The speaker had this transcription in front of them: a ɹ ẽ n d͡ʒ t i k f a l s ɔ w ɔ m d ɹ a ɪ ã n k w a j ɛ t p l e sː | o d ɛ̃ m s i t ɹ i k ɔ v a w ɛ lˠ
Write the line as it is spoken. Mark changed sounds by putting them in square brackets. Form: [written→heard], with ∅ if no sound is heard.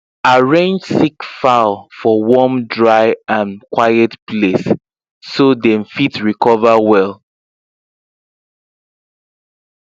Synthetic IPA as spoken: a ɹ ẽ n d͡ʒ [t→s] i k f a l [s→f] ɔ w ɔ m d ɹ a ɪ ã n k w a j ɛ t p l e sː | o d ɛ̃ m [s→f] i t ɹ i k ɔ v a w ɛ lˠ